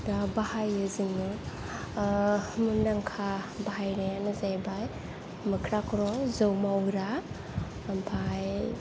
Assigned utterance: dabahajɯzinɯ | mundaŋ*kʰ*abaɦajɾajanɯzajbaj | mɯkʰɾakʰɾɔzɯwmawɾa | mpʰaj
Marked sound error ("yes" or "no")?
no